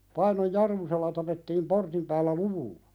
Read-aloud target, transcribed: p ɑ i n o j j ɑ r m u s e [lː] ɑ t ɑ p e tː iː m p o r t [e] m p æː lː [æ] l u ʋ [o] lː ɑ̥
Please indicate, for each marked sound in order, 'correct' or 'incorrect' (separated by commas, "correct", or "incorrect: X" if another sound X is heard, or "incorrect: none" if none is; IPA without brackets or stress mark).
correct, incorrect: i, correct, incorrect: u